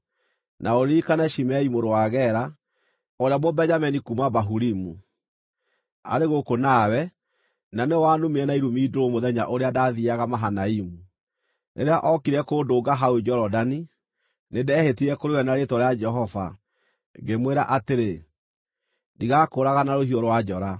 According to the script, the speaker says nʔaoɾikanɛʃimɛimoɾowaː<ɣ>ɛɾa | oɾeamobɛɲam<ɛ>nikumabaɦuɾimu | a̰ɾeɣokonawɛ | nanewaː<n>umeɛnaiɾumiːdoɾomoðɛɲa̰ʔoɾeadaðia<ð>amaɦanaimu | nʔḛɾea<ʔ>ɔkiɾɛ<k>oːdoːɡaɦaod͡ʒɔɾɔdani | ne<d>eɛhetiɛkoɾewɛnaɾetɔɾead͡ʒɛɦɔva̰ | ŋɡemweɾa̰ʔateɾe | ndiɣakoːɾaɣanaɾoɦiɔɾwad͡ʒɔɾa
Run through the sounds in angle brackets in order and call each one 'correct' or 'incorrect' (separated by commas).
correct, correct, correct, incorrect, correct, correct, correct